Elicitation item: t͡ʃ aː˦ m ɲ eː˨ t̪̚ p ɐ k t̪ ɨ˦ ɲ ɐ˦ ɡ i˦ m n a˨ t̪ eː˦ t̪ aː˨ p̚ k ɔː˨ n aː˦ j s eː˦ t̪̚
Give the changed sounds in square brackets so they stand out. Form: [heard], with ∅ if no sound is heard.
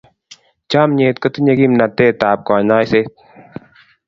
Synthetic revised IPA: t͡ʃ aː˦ m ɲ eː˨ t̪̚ [k] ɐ [∅] t̪ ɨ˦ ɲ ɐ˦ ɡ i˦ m n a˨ t̪ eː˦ t̪ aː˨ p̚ k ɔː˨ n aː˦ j s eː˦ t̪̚